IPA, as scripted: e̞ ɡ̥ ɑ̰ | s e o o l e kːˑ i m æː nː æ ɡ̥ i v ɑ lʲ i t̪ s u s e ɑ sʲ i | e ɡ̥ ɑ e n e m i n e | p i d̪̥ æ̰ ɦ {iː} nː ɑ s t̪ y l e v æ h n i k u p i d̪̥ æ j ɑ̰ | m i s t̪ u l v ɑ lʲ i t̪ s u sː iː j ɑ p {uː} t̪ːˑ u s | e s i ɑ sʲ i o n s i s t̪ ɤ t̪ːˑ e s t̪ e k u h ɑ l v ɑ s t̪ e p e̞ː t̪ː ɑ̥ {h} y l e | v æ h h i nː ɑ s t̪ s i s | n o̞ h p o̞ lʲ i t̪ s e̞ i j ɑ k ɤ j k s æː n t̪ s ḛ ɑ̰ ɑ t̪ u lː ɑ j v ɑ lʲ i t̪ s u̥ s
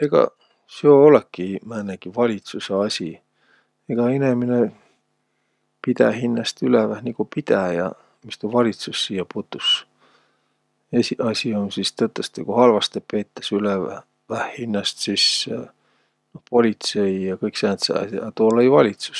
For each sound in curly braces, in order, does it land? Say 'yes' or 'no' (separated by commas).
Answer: no, no, no